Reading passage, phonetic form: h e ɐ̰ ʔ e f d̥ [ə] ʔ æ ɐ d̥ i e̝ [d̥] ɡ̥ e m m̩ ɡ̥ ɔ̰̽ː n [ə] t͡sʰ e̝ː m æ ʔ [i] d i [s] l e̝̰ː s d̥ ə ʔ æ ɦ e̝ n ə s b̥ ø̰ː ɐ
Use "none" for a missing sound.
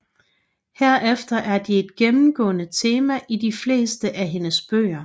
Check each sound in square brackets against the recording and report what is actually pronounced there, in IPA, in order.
ɐ, d̥, ə, i, f

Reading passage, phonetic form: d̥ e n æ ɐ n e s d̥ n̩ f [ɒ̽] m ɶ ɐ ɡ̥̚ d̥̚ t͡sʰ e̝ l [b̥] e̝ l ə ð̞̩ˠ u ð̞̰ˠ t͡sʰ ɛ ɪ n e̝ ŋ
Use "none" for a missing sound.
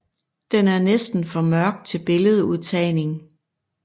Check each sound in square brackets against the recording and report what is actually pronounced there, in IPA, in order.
ɒ̽, b̥

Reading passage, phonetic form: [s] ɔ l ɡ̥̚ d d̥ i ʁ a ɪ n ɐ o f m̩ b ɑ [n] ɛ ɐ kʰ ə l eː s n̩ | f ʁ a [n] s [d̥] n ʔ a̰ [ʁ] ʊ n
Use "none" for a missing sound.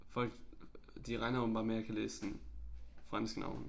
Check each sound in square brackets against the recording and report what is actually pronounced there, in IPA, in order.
f, m, n, ɡ̥, none

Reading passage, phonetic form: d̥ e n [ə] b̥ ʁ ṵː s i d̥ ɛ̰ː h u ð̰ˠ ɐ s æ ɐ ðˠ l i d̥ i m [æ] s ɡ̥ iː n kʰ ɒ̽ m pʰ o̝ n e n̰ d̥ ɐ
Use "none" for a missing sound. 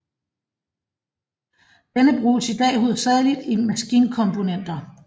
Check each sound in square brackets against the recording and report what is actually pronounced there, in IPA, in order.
ə, æ

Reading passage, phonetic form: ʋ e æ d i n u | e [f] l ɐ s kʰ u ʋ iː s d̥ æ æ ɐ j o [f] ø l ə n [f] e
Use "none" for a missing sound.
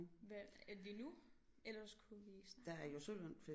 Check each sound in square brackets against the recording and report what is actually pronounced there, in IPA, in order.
none, s, f

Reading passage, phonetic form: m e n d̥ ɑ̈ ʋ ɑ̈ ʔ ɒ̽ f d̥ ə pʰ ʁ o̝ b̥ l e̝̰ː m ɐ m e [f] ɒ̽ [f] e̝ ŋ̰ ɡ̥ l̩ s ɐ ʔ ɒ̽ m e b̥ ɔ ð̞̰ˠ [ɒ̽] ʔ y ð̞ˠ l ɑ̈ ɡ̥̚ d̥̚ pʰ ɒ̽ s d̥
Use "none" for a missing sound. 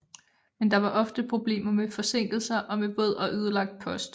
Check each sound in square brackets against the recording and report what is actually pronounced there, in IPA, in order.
f, s, ɒ̽

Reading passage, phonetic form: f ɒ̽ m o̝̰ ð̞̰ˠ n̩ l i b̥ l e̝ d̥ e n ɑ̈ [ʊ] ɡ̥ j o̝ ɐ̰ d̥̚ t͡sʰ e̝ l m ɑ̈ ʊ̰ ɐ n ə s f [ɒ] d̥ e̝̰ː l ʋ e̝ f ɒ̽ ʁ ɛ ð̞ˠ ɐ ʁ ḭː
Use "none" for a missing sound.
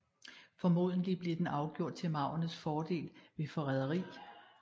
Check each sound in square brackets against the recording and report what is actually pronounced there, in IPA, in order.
ʊ, ɒː

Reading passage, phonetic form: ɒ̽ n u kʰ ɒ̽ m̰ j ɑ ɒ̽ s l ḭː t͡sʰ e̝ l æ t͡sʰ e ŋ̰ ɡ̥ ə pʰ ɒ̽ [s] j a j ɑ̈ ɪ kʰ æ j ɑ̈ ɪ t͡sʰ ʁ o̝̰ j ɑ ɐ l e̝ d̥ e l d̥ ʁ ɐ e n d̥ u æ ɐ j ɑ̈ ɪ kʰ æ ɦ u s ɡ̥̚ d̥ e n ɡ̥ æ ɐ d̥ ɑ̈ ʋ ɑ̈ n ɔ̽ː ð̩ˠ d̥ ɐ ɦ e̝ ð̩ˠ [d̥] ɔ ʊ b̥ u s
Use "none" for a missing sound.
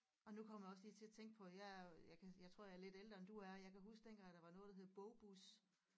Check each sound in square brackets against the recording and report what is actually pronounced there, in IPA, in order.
none, b̥

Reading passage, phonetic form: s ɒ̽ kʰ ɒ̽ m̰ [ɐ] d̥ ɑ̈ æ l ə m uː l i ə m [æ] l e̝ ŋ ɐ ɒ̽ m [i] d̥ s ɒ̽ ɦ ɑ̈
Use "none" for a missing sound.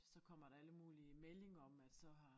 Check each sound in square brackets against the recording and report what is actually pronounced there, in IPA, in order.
ɐ, e, æ

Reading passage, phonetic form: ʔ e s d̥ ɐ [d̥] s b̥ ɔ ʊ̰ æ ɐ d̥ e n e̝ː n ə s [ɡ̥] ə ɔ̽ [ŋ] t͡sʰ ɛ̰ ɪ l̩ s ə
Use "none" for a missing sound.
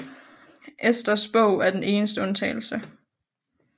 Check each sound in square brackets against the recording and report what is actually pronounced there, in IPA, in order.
none, d̥, n

